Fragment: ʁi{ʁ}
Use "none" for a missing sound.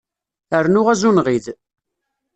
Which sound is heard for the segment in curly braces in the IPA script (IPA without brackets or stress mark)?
ð